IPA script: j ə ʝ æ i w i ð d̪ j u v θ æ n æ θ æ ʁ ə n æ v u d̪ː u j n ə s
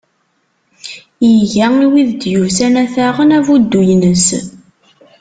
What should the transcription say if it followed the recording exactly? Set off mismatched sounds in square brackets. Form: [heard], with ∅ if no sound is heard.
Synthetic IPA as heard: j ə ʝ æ i w i ð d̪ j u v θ æ n æ θ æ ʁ ə n æ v u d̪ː u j n ə s